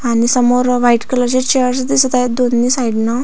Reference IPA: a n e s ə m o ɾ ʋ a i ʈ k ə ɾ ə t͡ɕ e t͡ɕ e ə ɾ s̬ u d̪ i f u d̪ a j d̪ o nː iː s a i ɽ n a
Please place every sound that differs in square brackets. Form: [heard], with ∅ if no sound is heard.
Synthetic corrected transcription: a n [i] s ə m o ɾ ʋ a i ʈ k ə [l] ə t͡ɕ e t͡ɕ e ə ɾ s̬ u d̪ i [s] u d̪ a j d̪ o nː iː s a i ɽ n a